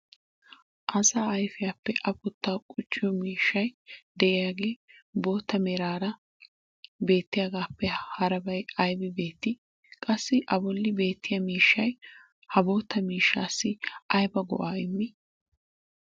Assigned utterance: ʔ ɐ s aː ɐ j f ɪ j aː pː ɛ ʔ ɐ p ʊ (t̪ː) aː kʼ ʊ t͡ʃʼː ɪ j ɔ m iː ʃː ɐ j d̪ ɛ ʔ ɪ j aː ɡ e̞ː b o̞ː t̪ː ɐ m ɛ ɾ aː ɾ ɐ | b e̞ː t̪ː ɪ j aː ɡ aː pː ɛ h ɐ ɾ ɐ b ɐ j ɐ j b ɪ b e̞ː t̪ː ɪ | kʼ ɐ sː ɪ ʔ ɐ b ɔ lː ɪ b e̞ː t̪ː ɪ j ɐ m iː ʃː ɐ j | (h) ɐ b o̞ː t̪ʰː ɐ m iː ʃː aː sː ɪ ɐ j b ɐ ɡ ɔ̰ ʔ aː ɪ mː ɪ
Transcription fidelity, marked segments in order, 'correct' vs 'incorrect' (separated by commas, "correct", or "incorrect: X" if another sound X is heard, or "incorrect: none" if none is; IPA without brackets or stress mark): correct, correct